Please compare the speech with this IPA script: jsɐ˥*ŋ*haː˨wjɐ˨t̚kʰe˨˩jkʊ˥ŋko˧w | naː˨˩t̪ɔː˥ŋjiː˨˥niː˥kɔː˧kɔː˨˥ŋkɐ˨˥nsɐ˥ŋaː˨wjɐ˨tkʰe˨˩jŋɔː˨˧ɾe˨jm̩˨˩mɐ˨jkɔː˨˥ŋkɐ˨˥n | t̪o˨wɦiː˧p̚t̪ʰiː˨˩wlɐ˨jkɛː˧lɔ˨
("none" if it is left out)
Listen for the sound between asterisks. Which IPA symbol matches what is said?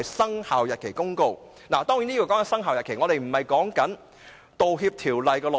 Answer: ŋ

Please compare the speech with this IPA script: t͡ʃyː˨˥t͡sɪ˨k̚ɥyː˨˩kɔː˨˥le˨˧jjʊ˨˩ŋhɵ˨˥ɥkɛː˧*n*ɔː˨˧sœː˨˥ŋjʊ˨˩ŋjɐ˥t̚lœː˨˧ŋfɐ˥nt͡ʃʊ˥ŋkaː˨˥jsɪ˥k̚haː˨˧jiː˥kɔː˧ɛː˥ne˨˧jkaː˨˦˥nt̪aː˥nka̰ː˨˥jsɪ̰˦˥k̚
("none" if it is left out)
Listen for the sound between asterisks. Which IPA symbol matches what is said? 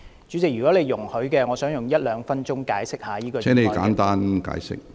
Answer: ŋ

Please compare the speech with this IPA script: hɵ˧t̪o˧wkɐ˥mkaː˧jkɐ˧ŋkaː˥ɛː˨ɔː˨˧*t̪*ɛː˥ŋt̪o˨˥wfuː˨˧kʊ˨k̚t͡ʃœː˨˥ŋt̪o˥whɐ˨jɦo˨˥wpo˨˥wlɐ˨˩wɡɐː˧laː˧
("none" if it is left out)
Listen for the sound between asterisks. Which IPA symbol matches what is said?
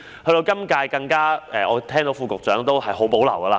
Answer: t̪ʰ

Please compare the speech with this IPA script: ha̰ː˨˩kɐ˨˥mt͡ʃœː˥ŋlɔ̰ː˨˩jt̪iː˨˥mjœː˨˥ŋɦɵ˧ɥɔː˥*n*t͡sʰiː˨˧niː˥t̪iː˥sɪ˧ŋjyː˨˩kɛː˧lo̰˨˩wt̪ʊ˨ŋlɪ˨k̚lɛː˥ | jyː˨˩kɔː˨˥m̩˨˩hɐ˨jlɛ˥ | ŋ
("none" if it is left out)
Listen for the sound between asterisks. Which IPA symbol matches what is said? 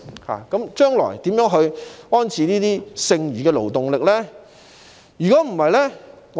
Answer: n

